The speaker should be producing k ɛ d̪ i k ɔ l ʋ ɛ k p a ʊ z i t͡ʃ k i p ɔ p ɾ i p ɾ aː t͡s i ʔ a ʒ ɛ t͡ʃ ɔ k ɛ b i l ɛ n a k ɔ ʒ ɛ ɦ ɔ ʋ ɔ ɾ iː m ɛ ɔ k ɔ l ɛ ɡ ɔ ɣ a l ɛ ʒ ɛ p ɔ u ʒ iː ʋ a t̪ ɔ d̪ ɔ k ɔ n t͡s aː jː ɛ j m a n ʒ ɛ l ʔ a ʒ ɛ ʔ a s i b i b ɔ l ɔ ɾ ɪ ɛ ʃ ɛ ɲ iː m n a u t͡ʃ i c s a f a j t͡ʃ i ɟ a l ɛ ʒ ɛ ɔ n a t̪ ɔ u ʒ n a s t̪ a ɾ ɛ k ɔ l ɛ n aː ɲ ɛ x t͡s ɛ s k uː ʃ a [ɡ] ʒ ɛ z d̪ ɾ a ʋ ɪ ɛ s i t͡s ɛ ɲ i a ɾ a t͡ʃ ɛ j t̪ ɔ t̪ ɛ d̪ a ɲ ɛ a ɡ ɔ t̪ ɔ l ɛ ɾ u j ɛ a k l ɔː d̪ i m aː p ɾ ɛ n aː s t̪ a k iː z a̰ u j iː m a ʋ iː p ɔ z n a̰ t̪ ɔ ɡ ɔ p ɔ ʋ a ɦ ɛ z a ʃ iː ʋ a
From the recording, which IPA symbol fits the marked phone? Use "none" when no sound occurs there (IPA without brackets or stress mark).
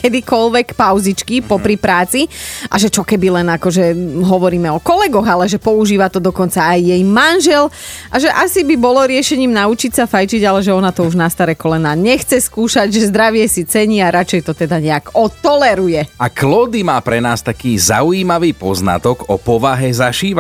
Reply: ɟ